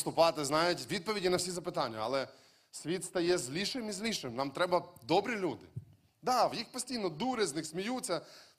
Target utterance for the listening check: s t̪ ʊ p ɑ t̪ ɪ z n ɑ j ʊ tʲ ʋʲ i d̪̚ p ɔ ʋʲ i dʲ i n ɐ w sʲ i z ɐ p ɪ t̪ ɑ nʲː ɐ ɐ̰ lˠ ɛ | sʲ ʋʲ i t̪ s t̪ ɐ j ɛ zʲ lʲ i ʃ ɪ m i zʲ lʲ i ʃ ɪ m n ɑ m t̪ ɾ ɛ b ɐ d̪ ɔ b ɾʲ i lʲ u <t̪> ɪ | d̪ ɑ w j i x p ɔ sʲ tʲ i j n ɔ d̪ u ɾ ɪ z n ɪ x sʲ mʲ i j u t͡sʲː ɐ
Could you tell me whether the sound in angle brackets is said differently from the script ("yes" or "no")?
yes